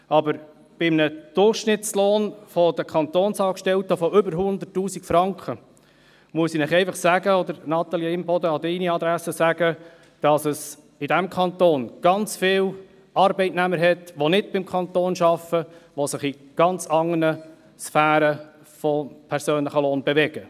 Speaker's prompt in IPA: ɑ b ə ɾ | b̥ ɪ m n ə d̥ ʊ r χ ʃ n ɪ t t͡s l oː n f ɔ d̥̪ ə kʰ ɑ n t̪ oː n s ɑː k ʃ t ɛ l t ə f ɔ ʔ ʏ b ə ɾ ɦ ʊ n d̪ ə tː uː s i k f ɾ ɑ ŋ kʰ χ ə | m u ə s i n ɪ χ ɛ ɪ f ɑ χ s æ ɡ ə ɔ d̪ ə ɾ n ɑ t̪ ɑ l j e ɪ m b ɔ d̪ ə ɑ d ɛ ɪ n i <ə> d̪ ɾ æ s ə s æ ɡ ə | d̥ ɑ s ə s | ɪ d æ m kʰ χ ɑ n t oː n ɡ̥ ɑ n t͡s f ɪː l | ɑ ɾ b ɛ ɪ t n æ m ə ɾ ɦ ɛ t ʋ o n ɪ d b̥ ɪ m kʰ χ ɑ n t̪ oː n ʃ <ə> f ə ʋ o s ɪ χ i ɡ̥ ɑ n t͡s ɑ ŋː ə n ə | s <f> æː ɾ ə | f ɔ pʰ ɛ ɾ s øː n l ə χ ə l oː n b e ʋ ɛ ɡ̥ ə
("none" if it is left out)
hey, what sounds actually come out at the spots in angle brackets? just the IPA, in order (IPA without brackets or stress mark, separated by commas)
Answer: ɑ, ɑ, f